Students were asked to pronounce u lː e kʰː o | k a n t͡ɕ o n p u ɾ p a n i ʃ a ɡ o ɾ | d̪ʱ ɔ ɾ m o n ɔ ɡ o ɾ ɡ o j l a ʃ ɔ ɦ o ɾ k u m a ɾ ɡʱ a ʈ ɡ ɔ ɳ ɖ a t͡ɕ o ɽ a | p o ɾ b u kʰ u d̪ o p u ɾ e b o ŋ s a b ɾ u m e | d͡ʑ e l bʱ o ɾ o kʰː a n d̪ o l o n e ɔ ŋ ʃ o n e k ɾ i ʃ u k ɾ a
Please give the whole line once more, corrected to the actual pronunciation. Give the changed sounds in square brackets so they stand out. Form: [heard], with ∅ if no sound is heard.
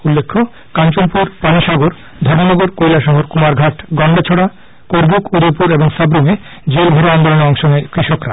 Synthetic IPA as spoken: u lː e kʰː o | k a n t͡ɕ o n p u ɾ p a n i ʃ a ɡ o ɾ | d̪ʱ ɔ ɾ m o n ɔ ɡ o ɾ [k] o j l a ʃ ɔ ɦ o ɾ k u m a ɾ ɡʱ a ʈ ɡ ɔ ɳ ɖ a [t͡ɕʰ] o ɽ a | [k] o ɾ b u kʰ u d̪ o p u ɾ e b o ŋ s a b ɾ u m e | d͡ʑ e l bʱ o ɾ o [∅] a n d̪ o l o n e ɔ ŋ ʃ o n e k ɾ i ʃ [o] k ɾ a